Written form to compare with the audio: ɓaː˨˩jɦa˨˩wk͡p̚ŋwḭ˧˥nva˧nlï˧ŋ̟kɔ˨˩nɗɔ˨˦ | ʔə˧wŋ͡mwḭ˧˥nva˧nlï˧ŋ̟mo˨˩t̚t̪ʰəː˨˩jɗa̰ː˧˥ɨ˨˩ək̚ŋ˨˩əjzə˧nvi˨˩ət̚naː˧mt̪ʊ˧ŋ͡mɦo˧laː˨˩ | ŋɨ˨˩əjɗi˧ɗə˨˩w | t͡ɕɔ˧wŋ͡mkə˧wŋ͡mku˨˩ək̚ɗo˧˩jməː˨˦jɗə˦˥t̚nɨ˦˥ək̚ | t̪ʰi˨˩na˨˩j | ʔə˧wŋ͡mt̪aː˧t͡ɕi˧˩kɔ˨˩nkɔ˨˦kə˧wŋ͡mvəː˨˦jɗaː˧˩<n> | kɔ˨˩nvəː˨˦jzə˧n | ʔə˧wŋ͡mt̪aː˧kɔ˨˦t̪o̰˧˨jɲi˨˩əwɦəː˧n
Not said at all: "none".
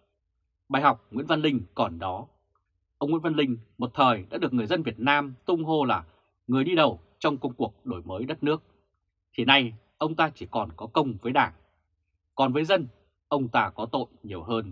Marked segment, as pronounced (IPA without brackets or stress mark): ŋ